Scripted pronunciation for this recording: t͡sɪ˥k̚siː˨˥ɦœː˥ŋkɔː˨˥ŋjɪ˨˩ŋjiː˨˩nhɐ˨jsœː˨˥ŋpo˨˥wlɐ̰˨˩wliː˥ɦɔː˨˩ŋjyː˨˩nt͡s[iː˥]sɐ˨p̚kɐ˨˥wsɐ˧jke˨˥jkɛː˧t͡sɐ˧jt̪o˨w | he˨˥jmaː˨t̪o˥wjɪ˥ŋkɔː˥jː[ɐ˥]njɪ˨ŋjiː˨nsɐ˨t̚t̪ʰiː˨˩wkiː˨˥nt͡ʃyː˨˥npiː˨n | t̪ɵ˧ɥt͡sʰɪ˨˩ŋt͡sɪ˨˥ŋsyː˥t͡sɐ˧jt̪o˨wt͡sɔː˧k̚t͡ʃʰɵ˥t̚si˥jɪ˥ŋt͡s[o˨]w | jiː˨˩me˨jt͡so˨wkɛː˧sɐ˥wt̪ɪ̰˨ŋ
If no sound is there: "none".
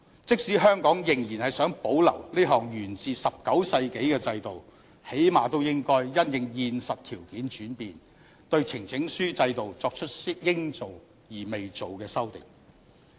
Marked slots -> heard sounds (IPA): iː˨, ɐ˥, o˨

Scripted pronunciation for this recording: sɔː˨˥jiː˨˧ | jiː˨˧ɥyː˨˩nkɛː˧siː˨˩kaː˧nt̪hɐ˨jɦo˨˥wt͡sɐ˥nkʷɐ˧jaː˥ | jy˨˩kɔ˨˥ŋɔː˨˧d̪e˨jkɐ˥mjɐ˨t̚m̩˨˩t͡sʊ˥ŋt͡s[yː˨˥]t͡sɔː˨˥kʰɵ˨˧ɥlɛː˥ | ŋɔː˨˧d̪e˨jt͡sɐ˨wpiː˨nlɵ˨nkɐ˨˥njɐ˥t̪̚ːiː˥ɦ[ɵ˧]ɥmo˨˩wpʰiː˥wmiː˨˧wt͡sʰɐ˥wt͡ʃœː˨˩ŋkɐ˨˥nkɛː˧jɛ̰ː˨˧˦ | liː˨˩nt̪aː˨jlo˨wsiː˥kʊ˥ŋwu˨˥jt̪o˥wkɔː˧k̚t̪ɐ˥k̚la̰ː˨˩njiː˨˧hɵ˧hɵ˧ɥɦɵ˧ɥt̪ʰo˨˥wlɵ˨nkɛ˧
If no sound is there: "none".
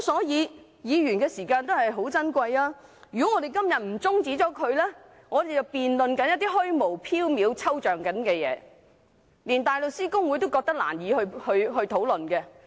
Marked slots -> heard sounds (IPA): iː˨˥, ɵ˥

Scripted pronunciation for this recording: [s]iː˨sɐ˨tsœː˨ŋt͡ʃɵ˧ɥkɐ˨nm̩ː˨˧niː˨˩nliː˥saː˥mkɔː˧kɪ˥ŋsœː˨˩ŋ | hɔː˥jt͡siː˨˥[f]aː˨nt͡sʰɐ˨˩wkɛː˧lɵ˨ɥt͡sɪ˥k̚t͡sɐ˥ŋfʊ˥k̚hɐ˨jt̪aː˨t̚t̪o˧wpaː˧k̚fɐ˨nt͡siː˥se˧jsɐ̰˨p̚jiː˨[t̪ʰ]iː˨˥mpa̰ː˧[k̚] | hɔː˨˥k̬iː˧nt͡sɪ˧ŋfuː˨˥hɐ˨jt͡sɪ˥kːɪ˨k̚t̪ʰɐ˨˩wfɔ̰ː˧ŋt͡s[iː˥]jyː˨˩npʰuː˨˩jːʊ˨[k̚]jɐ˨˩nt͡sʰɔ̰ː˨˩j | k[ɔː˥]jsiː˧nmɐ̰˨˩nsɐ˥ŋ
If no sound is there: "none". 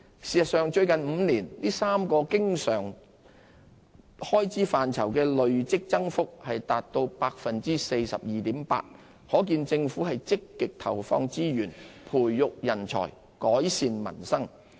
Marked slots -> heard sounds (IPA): s, f, t̪, t̚, iː˥, k̚, ɔː˨˥

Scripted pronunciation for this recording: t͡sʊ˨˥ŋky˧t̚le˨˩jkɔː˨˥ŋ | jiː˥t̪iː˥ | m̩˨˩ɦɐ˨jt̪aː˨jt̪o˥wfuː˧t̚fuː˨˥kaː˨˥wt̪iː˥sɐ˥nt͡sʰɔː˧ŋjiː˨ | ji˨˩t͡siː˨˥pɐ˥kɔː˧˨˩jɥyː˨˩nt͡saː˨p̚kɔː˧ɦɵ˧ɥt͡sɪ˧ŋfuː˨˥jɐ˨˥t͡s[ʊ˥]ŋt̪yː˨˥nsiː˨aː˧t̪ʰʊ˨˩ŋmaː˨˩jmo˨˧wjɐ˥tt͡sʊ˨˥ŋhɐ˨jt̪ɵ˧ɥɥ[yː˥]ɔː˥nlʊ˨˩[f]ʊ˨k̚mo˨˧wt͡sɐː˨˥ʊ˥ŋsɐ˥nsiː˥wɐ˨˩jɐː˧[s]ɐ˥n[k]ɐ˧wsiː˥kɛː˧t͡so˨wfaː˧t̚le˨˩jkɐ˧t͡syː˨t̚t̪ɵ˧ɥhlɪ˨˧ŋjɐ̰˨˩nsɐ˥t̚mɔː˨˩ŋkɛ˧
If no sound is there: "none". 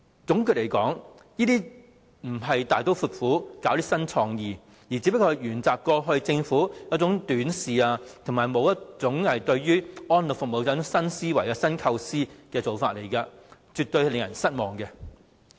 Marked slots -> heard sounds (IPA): ʊ˨˥, yː˥, f, s, kʰ

